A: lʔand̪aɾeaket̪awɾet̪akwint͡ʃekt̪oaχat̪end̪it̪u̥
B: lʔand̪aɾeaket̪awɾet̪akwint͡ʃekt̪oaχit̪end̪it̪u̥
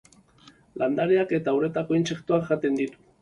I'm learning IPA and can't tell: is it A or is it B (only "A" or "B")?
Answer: A